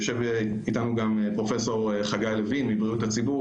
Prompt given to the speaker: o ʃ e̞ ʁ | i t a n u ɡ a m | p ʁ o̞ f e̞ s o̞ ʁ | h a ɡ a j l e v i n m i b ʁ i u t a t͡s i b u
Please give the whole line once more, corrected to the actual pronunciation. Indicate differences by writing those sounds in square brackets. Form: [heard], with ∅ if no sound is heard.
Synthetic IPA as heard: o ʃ e̞ [v] | i t a n u ɡ a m | p ʁ o̞ f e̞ s o̞ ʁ | [χ] a ɡ a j l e v i n m i b ʁ i u t a t͡s i b u